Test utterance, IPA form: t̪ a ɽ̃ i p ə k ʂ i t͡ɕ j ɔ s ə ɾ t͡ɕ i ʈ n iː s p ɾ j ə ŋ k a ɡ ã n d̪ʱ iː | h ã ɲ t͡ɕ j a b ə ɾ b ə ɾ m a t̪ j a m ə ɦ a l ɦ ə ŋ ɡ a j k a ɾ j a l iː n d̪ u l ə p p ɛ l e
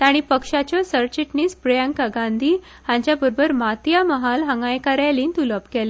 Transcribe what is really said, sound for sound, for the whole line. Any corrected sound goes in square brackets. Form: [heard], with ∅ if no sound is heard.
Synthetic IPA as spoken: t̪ a ɽ̃ i p ə k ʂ [a] t͡ɕ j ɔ s ə ɾ t͡ɕ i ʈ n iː s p ɾ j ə ŋ k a ɡ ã n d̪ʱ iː | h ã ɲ t͡ɕ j a b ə ɾ b ə ɾ m a t̪ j a m ə ɦ a l ɦ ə ŋ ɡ a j k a ɾ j a l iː n [t̪] u l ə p [k] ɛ l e